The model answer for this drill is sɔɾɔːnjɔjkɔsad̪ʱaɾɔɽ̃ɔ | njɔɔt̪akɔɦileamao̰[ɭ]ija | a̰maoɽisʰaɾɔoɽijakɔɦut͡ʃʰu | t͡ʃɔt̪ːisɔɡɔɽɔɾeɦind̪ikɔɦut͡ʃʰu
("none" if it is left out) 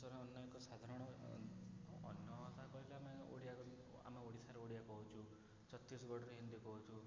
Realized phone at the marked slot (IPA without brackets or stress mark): ɽ